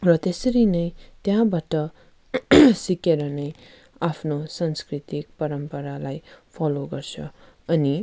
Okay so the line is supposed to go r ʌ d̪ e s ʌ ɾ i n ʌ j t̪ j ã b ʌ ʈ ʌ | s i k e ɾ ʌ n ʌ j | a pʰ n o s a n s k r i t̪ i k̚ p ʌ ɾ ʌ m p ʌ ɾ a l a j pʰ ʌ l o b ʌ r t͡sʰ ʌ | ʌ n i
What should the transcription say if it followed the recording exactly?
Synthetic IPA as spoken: r ʌ t̪ e s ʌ ɾ i n ʌ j t̪ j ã b a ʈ ʌ | s i k e ɾ ʌ n ʌ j | a pʰ n o s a n s k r i t̪ i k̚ p ʌ ɾ ʌ m p ʌ ɾ a l a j pʰ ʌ l o ɡ ʌ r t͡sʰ ʌ | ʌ n i